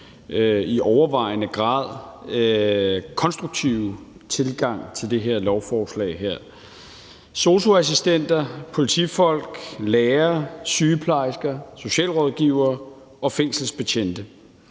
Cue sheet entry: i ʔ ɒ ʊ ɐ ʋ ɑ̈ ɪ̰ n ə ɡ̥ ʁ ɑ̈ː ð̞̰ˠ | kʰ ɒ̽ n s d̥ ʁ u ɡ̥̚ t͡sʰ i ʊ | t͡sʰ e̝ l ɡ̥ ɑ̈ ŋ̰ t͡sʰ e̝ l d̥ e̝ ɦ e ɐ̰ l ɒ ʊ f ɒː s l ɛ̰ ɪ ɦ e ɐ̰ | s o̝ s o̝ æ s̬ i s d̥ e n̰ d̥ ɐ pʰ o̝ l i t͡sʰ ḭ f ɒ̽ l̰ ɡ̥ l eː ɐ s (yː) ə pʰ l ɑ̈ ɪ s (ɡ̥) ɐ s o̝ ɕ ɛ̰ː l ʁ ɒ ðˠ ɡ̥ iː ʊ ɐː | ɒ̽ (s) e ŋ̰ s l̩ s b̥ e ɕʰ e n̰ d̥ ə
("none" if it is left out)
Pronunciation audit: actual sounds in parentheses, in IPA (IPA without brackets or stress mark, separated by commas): yː, ɡ̥, f